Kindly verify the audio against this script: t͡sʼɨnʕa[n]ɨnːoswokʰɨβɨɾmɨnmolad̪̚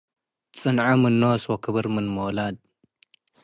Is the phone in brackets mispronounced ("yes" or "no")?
yes